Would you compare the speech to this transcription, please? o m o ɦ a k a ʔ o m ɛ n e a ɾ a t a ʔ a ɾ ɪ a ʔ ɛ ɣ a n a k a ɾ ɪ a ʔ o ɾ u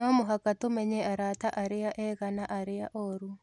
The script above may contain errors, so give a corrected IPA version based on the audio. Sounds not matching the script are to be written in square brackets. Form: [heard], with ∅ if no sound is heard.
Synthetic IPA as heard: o m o ɦ a k a [t] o m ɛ [ɲ] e a ɾ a t a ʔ a ɾ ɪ a ʔ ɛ ɣ a n a [ʔ] a ɾ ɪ a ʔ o ɾ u

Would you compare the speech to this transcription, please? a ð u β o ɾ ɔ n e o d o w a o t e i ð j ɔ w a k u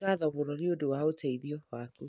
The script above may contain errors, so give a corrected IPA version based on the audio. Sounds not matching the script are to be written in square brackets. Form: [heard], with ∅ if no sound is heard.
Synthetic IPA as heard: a ð [ɔ] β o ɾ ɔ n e o d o w a o t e i ð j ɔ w a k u

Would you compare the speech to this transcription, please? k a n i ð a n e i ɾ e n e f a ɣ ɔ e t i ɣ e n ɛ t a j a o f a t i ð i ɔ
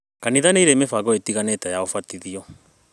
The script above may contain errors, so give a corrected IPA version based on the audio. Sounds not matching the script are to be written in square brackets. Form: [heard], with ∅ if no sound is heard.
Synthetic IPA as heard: k a n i ð a n e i ɾ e [m] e f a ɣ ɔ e t i ɣ [a] n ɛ t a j a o f a t i ð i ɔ

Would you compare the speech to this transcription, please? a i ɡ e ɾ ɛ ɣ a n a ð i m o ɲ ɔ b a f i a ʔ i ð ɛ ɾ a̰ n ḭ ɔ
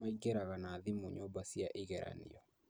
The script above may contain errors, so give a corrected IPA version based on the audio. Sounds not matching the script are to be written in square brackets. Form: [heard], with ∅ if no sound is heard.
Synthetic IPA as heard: a i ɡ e ɾ [a] ɣ a n a ð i m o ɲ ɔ b a [s] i a ʔ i [ɣ] ɛ ɾ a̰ n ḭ ɔ

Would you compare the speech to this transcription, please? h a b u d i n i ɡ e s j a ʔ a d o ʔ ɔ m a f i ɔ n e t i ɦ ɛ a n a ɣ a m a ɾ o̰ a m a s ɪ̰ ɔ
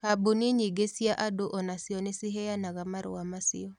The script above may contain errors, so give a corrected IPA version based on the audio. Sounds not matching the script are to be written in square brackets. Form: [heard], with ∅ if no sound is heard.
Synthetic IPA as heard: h a b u [n] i [ɲ] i ɡ e s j a ʔ a d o ʔ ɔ [n] a [s] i ɔ n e [s] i ɦ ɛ a n a ɣ a m a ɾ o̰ a m a s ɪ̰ ɔ

